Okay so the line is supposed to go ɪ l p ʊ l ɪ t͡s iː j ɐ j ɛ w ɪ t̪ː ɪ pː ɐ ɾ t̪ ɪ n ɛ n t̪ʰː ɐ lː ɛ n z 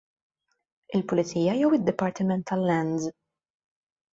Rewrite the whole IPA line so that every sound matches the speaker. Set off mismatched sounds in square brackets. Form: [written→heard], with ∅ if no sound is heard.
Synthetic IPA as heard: ɪ l p ʊ l ɪ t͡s iː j ɐ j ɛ w ɪ [t̪ː→d̪ː] ɪ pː ɐ ɾ t̪ ɪ [n→m] ɛ n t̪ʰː ɐ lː ɛ n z

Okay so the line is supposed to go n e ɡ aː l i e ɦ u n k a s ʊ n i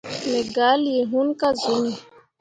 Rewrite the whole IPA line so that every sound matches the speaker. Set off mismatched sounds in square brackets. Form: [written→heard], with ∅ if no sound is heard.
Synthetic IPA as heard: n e ɡ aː l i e ɦ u n k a [s→z] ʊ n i

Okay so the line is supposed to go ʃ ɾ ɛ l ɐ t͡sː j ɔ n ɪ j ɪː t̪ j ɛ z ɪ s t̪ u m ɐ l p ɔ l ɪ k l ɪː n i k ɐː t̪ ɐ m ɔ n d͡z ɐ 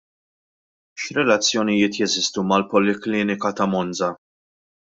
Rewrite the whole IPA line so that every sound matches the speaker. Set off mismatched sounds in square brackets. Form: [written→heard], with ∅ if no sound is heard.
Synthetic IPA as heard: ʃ ɾ ɛ l ɐ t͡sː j ɔ n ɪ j ɪː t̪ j ɛ z ɪ s t̪ u m ɐ l p ɔ l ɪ k l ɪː n [i→ɪ] k [ɐː→ɐ] t̪ ɐ m ɔ n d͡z ɐ

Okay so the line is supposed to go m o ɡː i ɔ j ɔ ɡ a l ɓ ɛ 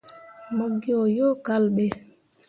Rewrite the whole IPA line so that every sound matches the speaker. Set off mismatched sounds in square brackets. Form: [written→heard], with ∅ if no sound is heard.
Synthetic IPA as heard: m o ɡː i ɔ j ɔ [ɡ→k] a l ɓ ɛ

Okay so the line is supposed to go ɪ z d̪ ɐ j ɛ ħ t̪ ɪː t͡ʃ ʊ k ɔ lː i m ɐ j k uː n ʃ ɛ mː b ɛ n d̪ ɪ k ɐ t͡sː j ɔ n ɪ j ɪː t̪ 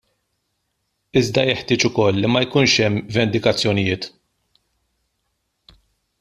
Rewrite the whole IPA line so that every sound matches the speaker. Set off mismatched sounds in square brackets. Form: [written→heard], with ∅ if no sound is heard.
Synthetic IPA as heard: ɪ z d̪ ɐ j ɛ ħ t̪ ɪː t͡ʃ ʊ k ɔ lː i m ɐ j k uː n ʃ ɛ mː [b→v] ɛ n d̪ ɪ k ɐ t͡sː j ɔ n ɪ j ɪː t̪

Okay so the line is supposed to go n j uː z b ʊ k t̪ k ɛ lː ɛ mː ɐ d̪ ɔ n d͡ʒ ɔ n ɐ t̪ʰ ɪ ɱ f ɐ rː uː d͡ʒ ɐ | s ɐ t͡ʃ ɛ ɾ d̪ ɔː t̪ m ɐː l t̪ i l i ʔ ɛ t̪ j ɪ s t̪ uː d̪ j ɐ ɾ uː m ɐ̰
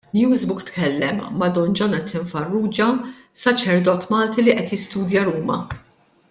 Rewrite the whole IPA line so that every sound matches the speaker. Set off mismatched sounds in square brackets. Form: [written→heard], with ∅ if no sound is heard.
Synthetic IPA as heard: n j uː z b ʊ k t̪ k ɛ lː ɛ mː ɐ d̪ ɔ n d͡ʒ ɔ n ɐ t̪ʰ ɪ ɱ f ɐ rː uː d͡ʒ ɐ | s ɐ t͡ʃ ɛ ɾ d̪ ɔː t̪ m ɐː l t̪ i l i ʔ ɛ t̪ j ɪ s t̪ uː d̪ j ɐ ɾ uː m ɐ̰

